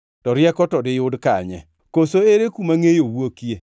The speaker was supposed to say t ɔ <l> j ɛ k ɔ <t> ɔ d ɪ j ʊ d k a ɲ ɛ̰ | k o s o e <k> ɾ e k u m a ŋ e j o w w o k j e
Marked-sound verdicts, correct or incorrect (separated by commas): incorrect, correct, incorrect